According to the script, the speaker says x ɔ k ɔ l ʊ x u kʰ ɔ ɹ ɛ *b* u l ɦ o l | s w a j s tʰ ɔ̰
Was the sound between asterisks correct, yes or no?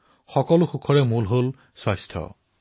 no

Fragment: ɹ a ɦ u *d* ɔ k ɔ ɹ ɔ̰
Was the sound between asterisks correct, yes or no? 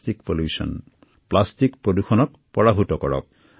no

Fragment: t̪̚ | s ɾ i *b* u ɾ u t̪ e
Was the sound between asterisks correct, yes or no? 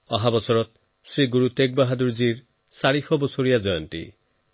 no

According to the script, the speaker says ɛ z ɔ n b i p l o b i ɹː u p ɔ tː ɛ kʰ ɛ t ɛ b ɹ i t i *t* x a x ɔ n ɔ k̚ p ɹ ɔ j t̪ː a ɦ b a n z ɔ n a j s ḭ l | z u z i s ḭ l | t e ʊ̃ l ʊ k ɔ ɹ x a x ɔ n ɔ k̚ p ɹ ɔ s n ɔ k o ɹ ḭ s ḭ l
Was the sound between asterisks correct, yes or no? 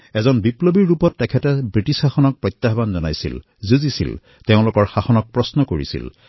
no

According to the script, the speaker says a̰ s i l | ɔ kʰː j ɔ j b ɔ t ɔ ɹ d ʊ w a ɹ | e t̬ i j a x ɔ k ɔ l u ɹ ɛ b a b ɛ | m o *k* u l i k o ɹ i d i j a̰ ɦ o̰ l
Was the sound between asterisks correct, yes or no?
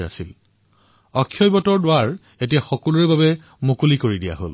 yes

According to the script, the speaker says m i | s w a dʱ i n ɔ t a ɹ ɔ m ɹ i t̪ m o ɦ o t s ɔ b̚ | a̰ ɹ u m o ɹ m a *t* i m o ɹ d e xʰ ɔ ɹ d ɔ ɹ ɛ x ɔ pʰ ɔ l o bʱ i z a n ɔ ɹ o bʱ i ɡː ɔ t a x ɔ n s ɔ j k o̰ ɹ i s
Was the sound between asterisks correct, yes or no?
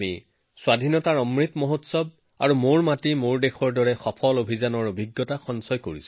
yes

